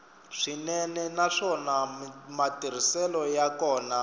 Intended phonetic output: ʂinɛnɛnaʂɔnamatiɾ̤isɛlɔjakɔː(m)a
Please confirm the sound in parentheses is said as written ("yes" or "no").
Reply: no